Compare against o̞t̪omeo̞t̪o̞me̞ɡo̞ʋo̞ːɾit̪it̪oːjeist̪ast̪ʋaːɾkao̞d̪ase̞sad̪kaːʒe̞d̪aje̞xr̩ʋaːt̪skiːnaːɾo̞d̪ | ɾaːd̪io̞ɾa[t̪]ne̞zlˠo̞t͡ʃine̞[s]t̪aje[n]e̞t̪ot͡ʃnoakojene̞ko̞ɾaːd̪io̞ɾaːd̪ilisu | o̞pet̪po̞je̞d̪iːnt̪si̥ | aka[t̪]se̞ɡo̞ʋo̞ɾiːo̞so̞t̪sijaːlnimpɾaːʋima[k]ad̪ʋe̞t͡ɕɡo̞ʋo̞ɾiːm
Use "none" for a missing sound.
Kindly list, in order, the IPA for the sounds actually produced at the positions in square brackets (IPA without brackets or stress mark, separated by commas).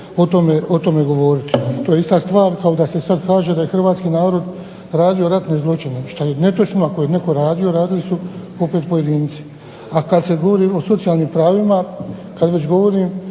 t̪, ʃ, n, d̪, k